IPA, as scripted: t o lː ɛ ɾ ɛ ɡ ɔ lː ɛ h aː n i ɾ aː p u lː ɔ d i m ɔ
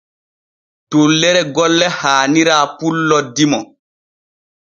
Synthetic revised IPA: t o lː ɛ ɾ ɛ ɡ ɔ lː ɛ h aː n i ɾ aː p u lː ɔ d i m ɔ